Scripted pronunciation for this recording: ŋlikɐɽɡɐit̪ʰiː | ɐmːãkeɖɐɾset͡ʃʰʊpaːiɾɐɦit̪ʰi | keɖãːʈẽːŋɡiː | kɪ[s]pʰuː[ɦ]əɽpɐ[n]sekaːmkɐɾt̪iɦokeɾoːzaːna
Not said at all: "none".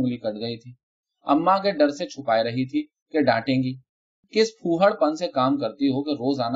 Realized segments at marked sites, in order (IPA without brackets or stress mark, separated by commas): s, ɦ, n